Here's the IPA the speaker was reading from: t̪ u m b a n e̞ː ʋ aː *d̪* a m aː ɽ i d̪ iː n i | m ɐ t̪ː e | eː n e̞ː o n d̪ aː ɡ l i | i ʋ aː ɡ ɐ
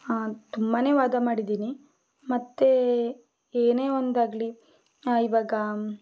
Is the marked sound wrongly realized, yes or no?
no